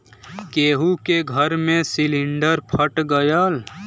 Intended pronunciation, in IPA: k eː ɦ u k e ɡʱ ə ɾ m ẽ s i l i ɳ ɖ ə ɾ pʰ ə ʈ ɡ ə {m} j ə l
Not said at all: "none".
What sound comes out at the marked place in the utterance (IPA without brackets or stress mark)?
none